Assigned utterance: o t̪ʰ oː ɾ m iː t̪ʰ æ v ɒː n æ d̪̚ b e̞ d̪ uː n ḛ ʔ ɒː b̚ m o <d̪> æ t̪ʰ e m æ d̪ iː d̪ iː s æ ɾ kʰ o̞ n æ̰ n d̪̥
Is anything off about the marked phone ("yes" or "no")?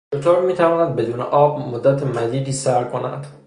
yes